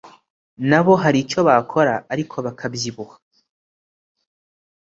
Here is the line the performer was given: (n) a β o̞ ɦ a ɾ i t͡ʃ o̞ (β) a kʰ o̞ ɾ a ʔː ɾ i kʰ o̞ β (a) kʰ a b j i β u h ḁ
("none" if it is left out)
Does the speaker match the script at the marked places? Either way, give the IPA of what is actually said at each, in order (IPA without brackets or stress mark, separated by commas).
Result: n, β, a